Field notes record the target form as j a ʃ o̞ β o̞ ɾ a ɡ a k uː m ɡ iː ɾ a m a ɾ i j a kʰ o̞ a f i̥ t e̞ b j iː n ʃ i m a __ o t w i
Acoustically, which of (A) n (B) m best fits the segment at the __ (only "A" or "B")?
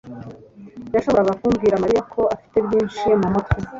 B